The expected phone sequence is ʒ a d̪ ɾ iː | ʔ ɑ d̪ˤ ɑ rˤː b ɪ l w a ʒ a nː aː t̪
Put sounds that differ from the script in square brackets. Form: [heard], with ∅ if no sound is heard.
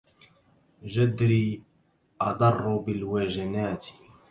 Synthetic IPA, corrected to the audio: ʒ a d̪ ɾ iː | ʔ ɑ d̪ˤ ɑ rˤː b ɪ l w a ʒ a [n] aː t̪